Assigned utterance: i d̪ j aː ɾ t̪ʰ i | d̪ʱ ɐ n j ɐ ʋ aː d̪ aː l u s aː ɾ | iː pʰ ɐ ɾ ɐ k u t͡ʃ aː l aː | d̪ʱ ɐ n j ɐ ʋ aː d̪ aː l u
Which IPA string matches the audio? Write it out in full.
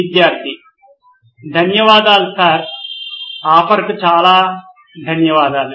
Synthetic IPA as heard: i d̪ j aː ɾ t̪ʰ i | d̪ʱ ɐ n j ɐ ʋ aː d̪ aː l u s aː ɾ | aː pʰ ɐ ɾ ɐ k u t͡ʃ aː l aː | d̪ʱ ɐ n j ɐ ʋ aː d̪ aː l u